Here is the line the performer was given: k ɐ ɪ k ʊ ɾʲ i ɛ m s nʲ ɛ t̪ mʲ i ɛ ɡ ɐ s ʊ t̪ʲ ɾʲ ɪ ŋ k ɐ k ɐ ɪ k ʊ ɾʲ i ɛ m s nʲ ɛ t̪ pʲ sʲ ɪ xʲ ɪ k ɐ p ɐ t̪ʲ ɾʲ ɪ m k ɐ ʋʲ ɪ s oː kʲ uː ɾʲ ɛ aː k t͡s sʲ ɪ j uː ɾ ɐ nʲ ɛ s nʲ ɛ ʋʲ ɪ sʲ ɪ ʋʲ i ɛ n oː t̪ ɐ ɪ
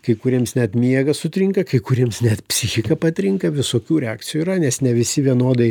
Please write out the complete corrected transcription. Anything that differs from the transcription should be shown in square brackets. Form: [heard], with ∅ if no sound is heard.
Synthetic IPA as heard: k ɐ ɪ k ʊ ɾʲ i ɛ m s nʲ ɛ t̪ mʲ i ɛ ɡ ɐ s ʊ t̪ʲ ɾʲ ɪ ŋ k ɐ k ɐ ɪ k ʊ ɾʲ i ɛ m s nʲ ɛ t̪ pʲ sʲ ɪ xʲ ɪ k ɐ p ɐ t̪ʲ ɾʲ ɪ [ŋ] k ɐ ʋʲ ɪ s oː kʲ uː ɾʲ ɛ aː k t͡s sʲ ɪ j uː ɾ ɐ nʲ ɛ s nʲ ɛ ʋʲ ɪ sʲ ɪ ʋʲ i ɛ n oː [d̪] ɐ ɪ